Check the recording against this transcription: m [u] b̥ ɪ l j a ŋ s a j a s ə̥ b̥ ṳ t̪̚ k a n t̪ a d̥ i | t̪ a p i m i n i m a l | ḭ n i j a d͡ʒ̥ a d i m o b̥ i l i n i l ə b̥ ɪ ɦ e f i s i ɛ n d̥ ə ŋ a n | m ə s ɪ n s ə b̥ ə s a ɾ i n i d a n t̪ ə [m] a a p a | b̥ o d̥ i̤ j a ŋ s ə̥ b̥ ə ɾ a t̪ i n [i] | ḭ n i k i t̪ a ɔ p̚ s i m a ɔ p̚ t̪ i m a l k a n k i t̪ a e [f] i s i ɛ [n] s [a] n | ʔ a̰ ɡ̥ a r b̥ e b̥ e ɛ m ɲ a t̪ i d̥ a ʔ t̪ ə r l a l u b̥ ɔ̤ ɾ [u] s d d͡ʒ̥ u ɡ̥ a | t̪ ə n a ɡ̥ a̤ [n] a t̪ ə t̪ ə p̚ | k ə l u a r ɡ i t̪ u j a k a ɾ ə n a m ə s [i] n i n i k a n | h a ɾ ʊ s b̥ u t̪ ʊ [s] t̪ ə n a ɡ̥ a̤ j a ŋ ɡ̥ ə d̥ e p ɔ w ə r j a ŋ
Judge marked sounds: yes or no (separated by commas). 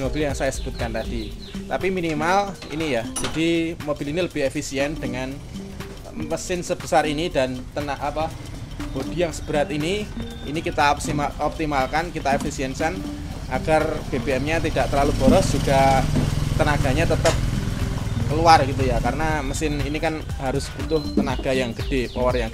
no, no, yes, yes, yes, yes, no, no, no, no